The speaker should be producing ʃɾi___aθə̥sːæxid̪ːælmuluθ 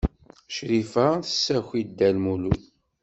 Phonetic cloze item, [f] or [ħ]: f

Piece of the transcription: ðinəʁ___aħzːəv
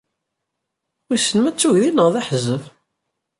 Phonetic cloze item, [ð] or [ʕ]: ð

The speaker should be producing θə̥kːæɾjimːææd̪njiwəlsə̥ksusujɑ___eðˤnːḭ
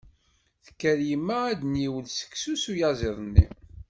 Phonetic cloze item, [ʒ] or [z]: z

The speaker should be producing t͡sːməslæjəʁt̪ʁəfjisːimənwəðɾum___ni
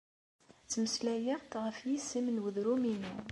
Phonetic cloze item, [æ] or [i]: i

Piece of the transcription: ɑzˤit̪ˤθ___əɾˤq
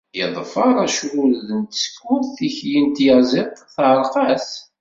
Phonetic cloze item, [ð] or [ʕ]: ʕ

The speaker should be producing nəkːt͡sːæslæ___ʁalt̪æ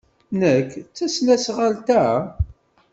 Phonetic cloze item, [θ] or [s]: s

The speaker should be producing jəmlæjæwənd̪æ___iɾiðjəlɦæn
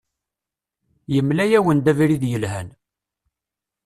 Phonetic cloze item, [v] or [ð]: v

